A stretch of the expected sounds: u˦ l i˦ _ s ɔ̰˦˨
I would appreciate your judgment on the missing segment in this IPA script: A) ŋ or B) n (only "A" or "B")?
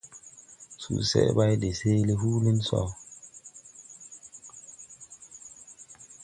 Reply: B